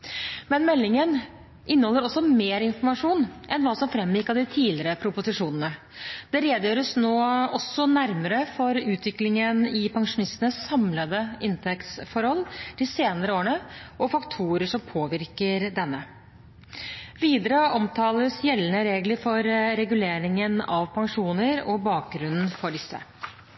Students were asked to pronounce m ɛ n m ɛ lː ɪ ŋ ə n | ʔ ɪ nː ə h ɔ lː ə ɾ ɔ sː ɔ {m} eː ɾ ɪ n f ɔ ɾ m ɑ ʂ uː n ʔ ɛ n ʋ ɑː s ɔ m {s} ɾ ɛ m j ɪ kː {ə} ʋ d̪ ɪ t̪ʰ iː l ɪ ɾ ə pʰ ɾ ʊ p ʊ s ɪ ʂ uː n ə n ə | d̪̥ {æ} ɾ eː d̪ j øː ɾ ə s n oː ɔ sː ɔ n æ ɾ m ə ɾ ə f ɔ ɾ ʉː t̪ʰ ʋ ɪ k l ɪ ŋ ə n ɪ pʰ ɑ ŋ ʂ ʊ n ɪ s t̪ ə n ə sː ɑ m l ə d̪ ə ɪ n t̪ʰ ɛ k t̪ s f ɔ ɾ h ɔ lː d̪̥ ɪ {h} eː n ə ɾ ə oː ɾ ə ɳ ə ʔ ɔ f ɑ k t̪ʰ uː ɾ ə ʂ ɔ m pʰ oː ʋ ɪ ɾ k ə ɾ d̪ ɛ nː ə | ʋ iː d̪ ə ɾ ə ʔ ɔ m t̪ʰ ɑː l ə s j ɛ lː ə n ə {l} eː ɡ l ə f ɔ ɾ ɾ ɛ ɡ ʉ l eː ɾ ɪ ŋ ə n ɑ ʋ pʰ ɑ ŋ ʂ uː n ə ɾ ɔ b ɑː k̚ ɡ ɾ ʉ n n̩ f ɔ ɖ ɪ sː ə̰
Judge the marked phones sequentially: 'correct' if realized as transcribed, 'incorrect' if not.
correct, incorrect: f, incorrect: ɑ, incorrect: ɛ, incorrect: s, incorrect: ɾ

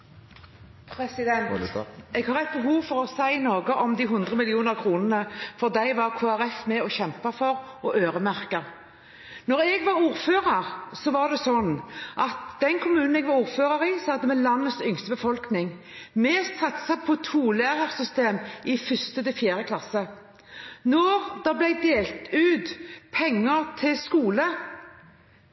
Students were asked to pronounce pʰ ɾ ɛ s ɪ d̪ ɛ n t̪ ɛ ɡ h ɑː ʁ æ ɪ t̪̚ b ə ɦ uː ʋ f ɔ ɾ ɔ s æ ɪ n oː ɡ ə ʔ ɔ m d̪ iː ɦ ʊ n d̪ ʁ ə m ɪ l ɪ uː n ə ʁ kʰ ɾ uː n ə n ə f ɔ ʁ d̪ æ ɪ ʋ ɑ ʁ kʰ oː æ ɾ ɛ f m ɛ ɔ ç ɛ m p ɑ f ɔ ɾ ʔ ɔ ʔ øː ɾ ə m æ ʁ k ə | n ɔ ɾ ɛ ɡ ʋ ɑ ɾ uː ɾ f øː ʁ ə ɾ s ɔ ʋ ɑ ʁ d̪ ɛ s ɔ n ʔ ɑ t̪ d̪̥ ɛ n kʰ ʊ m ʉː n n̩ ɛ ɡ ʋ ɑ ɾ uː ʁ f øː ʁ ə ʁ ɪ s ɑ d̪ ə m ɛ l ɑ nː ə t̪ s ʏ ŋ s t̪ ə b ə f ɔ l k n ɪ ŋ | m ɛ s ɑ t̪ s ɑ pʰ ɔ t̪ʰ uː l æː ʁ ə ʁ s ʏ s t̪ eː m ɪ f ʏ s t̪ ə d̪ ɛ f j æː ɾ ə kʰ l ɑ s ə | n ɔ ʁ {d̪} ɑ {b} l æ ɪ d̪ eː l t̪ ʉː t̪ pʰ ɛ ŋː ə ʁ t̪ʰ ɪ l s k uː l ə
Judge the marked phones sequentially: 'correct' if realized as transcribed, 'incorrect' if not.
correct, correct

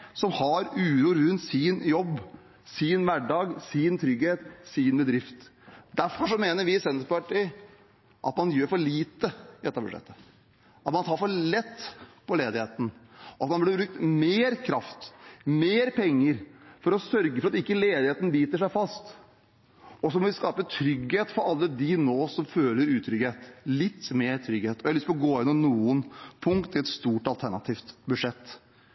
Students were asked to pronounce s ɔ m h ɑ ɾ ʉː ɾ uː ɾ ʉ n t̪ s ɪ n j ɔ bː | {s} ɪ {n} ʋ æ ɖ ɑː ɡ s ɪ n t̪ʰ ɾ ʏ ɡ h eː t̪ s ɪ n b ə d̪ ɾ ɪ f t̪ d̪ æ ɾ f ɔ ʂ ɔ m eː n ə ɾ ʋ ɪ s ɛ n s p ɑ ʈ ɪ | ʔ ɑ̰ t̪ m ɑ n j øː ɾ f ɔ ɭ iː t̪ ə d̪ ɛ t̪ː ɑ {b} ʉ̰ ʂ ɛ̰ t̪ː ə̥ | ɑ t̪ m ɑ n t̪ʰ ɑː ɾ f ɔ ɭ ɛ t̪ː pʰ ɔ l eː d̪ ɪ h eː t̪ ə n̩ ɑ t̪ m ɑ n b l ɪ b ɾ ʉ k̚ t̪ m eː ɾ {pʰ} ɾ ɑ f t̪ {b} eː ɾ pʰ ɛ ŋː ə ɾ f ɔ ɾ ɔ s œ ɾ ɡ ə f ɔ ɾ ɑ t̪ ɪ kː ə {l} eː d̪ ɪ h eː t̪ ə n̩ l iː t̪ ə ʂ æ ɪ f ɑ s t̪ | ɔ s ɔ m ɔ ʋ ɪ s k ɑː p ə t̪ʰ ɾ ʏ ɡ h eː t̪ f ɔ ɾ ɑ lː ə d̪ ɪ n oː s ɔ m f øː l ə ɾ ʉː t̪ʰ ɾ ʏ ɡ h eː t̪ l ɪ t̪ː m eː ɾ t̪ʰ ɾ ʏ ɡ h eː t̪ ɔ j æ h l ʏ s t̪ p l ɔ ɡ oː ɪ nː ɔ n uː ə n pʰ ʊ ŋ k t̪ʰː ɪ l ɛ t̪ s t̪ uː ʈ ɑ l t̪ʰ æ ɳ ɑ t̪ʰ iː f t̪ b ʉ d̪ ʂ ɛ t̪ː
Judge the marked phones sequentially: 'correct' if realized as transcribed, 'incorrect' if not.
correct, correct, correct, incorrect: kʰ, incorrect: m, correct

